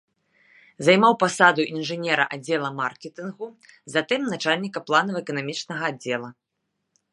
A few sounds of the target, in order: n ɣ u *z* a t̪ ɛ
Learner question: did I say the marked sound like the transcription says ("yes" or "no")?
yes